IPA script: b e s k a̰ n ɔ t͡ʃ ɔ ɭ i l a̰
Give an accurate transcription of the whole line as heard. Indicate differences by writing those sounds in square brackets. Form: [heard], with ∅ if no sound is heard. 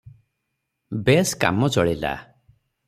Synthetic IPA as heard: b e s k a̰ [m] ɔ t͡ʃ ɔ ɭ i l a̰